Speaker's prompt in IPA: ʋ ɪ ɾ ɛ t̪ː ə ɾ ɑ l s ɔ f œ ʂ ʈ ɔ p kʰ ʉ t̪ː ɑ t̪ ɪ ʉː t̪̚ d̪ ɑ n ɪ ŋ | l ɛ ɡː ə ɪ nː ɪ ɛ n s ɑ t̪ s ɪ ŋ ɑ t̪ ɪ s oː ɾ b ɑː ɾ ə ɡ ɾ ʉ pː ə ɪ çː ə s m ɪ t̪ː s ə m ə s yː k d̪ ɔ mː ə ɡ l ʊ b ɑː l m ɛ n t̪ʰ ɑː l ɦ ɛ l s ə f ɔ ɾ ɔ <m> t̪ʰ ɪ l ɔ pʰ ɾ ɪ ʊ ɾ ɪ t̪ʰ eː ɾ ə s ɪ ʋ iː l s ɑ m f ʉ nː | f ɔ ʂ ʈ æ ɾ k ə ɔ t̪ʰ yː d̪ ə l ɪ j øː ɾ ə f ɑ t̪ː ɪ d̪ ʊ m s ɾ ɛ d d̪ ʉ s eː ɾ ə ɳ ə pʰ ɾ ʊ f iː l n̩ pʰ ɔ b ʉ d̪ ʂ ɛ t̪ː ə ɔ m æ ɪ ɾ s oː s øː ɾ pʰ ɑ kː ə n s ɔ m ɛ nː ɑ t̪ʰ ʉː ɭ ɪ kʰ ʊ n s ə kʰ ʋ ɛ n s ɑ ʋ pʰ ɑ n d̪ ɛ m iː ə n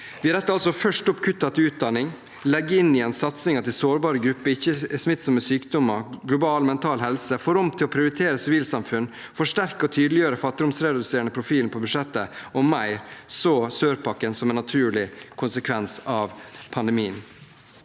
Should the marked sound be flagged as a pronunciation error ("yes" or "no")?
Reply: no